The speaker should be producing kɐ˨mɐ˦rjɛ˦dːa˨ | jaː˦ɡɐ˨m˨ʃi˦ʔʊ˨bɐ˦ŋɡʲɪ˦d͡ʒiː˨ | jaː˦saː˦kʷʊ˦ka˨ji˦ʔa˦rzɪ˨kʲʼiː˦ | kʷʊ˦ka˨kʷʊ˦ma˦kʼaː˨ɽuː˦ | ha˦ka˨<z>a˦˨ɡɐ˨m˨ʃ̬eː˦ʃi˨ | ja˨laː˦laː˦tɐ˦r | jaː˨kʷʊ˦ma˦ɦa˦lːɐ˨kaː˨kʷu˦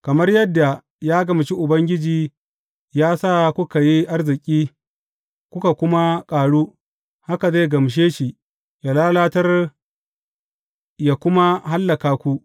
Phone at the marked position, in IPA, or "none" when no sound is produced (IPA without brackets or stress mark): z